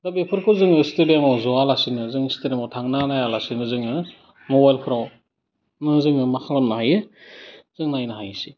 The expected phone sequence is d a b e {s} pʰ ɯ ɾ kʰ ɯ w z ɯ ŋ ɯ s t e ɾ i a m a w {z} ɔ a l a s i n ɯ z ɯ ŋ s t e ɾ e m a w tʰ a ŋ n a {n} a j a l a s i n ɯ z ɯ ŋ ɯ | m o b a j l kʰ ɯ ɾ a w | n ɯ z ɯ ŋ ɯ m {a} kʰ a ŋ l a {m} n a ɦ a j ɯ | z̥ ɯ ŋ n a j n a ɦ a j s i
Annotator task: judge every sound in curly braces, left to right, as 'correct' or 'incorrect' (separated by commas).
incorrect, correct, correct, correct, correct